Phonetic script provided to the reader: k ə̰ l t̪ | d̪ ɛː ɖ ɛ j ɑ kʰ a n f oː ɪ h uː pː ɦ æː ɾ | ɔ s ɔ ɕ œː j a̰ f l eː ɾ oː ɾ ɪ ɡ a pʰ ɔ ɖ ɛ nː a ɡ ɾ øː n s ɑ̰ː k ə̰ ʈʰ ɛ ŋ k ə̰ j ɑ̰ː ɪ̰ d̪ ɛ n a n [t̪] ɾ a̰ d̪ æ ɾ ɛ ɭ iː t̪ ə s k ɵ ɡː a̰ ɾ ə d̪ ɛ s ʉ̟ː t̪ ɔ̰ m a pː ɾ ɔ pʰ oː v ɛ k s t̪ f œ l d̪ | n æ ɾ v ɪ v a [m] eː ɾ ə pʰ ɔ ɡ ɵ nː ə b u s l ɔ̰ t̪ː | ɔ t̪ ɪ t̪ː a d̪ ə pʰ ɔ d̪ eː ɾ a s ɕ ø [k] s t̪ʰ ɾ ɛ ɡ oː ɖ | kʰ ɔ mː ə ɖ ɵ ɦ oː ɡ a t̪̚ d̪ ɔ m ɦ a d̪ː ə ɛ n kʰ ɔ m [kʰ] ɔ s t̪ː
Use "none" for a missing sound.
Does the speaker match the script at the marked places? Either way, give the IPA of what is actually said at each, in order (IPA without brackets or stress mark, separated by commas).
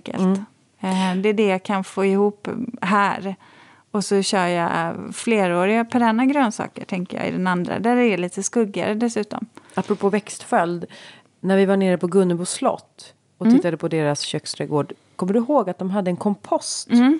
d̪, ɳ, k, pʰ